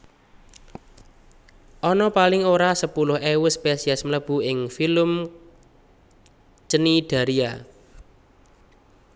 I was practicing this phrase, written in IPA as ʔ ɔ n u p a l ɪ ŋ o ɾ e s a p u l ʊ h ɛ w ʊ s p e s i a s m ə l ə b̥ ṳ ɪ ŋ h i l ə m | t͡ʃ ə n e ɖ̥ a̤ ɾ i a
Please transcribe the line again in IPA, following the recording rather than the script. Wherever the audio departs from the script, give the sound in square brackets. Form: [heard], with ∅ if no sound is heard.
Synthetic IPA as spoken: ʔ ɔ n [ɔ] p a l ɪ ŋ o ɾ [a] s [ə] p u l ʊ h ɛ w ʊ s p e s i a s m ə l ə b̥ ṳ ɪ ŋ [f] i l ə m | t͡ʃ ə n [i] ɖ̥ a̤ ɾ i a